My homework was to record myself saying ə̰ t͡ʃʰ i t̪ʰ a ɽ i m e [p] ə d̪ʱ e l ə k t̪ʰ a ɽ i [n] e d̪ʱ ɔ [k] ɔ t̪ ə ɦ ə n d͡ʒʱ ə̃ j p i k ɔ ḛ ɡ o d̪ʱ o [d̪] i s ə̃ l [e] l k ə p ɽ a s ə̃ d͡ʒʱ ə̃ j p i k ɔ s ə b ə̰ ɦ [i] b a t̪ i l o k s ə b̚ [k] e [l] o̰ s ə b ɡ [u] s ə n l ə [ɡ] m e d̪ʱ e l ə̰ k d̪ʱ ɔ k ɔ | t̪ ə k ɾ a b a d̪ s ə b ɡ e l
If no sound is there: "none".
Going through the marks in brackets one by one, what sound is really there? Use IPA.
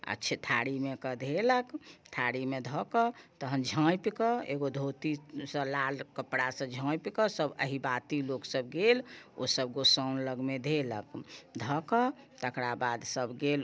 k, m, k, t̪, a, i, ɡ, l, o, ɡ

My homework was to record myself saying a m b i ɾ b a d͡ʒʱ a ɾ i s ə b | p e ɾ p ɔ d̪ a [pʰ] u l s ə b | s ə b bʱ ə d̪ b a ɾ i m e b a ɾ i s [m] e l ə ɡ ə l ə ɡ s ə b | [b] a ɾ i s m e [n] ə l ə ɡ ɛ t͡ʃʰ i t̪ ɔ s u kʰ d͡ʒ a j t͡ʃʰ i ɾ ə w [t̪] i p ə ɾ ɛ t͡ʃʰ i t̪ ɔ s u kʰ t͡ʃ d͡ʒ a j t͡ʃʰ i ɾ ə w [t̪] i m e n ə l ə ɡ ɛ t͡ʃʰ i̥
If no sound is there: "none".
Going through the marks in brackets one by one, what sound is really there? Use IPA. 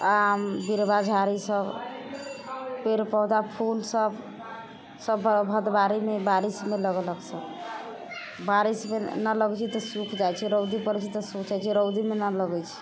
pʰ, m, b, n, d̪, d̪

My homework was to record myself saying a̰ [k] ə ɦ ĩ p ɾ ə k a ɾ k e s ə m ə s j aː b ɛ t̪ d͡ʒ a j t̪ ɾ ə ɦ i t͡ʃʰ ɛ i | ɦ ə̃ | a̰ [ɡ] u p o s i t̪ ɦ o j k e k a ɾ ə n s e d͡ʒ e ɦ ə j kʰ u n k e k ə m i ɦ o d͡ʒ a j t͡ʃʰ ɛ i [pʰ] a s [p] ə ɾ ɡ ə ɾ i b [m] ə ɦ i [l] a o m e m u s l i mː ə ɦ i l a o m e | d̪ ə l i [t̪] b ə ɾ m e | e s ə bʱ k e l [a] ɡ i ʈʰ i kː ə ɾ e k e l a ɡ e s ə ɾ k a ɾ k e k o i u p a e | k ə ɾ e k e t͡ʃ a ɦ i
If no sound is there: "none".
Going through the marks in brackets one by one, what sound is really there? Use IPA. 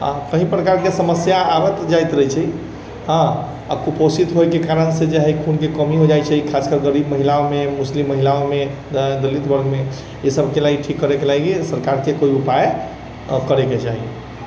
k, k, kʰ, k, m, l, t̪, a

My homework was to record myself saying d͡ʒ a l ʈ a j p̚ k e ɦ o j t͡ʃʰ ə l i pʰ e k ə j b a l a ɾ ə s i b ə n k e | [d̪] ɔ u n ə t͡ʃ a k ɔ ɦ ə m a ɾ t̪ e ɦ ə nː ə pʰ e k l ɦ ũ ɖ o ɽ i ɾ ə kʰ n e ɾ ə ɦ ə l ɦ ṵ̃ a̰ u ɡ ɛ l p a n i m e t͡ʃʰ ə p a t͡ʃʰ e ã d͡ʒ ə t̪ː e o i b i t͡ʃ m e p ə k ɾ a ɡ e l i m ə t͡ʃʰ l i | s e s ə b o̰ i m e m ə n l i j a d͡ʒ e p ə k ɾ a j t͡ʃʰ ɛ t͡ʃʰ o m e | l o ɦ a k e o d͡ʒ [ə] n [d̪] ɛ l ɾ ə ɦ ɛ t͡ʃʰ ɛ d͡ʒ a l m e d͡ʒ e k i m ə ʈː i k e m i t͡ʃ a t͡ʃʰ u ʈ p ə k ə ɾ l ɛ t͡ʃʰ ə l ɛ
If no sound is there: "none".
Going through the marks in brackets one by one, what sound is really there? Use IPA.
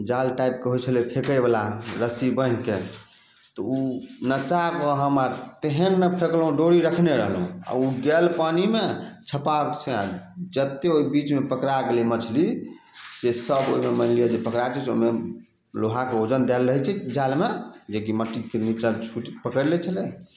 t̪, ə, d̪

